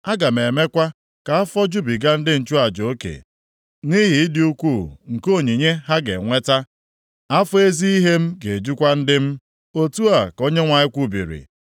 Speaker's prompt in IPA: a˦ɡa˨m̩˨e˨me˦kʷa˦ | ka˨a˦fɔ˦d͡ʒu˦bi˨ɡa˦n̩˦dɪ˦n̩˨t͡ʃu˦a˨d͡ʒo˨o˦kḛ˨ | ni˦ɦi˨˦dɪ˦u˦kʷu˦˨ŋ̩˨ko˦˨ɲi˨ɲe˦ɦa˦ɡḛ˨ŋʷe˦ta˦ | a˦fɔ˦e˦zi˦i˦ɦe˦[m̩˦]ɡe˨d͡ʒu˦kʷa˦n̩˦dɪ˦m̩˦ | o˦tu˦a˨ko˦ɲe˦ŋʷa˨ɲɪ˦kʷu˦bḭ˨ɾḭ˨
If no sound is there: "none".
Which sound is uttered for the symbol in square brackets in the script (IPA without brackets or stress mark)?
m̩˦